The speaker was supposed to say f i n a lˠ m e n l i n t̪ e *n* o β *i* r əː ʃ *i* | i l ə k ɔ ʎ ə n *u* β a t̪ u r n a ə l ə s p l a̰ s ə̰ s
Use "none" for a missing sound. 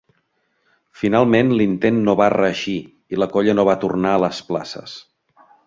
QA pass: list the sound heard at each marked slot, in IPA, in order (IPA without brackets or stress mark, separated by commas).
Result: nː, a, i, o